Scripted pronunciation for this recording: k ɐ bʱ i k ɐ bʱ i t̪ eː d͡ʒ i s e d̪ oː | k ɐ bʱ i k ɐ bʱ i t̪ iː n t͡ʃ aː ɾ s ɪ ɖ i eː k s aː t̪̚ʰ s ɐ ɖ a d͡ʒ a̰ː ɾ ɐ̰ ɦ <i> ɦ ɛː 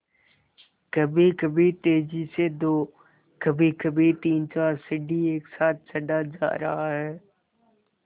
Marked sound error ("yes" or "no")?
yes